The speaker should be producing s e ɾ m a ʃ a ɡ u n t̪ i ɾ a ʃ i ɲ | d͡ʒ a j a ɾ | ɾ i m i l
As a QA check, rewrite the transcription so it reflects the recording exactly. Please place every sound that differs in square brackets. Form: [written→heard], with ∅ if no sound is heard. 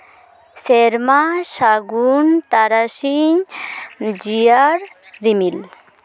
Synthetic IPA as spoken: s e ɾ m a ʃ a ɡ u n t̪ [i→a] ɾ a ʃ i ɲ | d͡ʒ [a→i] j a ɾ | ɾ i m i l